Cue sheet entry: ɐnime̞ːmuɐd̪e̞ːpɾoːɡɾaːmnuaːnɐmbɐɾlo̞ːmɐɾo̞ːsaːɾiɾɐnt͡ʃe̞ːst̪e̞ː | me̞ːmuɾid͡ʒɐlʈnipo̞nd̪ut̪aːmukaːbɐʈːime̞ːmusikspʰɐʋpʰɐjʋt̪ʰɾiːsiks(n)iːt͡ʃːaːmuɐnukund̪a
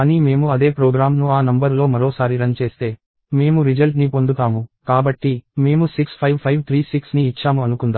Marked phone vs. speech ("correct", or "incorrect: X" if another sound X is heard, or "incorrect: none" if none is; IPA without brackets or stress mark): correct